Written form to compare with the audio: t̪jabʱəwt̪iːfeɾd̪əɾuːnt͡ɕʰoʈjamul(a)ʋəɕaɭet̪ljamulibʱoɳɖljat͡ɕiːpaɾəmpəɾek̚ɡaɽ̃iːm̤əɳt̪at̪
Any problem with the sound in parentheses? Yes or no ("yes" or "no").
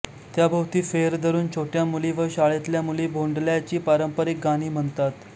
yes